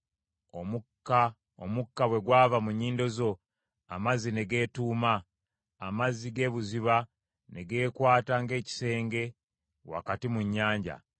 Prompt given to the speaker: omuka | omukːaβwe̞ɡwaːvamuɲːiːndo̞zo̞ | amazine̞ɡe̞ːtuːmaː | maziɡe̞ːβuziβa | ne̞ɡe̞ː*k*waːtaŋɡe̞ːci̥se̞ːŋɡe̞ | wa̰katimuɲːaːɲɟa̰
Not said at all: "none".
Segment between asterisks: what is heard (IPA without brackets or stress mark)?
k